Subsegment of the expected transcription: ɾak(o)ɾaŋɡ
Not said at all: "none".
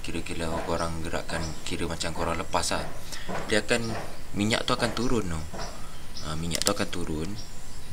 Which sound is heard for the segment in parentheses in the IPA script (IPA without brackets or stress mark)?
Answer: o